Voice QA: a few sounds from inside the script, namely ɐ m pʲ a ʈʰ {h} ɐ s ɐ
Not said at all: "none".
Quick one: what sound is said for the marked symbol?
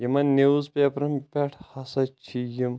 h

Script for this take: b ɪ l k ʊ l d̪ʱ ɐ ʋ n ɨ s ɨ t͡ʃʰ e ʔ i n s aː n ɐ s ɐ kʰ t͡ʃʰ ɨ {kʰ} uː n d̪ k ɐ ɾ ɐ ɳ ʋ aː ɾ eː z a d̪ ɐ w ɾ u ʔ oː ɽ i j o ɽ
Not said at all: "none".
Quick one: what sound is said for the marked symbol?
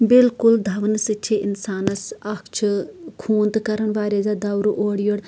kʰ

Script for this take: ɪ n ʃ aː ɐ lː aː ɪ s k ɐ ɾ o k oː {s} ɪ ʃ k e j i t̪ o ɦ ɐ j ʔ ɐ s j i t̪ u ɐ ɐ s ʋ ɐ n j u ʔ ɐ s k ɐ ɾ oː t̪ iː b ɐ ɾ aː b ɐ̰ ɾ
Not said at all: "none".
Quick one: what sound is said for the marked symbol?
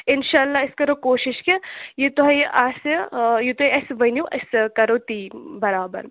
ʃ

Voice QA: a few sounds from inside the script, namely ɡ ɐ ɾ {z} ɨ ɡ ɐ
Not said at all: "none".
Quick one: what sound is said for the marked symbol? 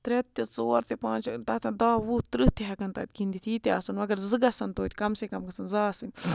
z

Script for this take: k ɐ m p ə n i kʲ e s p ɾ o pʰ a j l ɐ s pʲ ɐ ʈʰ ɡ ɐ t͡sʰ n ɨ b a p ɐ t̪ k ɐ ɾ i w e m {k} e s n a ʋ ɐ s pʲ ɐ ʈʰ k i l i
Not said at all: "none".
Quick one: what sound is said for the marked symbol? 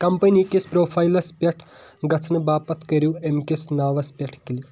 k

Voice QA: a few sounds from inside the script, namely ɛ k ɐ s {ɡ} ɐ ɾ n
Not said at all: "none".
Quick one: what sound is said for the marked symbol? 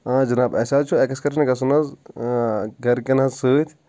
k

